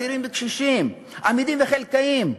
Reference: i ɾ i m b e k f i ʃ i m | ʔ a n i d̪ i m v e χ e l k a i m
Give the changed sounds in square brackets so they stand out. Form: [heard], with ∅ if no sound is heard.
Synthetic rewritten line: i ɾ i m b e k [ʃ] i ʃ i m | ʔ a [m] i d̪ i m v e χ e l k a i m